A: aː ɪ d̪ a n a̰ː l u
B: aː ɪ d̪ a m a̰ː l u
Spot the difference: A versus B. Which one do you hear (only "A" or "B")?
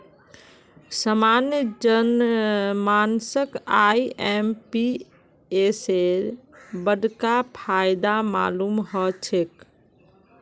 B